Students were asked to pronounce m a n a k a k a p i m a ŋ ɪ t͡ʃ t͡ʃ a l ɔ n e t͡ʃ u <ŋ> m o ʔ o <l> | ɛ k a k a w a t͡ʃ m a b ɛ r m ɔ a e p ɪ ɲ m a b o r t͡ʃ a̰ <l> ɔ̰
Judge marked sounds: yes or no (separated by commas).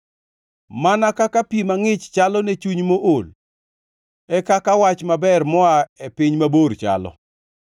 no, yes, yes